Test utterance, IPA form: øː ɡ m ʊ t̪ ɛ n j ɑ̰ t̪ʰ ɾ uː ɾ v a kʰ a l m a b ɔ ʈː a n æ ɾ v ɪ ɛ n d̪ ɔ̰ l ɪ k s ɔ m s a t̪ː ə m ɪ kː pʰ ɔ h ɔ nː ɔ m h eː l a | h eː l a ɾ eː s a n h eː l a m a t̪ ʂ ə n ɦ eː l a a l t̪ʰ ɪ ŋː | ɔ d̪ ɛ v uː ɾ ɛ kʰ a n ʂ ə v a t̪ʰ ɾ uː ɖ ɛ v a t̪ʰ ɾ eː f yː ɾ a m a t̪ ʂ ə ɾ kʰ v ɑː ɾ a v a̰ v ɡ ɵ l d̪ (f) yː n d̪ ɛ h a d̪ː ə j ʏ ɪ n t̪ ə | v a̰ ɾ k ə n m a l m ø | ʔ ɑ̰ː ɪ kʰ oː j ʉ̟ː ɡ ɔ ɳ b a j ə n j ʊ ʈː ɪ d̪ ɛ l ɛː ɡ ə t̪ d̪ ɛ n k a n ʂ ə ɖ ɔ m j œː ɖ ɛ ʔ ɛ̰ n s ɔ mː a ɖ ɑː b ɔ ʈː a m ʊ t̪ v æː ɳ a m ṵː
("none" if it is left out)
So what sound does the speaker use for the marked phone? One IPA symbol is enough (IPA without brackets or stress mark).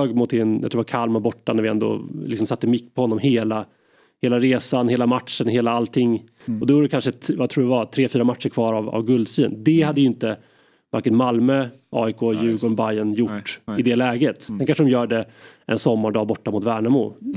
s